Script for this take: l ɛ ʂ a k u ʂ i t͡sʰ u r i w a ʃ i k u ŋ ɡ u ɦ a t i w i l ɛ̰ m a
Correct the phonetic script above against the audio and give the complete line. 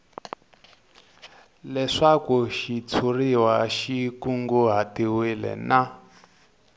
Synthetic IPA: l ɛ ʂ a k u ʃ i t͡sʰ u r i w a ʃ i k u ŋ ɡ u ɦ a t i w i l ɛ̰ n a